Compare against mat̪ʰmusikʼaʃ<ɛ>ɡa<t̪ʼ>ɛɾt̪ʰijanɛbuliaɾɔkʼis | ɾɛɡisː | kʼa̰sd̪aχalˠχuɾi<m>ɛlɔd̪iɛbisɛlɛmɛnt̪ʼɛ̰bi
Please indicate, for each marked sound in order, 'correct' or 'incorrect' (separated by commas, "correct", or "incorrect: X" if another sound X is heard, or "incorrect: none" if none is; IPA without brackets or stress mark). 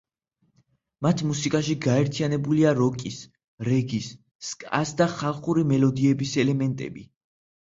incorrect: i, incorrect: none, correct